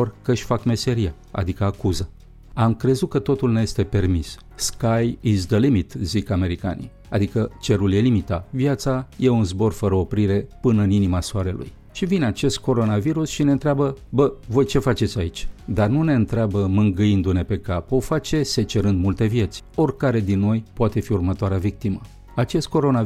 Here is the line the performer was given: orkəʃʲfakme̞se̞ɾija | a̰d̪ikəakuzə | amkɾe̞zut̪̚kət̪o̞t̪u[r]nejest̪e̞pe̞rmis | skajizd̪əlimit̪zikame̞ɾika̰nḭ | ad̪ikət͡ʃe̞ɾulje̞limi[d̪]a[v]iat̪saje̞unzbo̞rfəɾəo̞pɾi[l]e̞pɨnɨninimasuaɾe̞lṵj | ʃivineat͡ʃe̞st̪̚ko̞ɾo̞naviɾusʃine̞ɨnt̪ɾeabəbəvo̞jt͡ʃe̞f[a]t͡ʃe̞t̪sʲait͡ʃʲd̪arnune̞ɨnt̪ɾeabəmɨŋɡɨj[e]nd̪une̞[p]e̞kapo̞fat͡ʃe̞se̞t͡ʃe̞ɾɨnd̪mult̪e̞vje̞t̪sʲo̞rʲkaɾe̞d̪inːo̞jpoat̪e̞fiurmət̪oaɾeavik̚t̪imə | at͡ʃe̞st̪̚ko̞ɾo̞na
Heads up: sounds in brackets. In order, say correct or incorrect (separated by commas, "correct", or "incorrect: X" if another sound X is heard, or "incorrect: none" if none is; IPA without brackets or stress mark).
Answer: incorrect: l, incorrect: t̪, correct, incorrect: ɾ, correct, incorrect: i, correct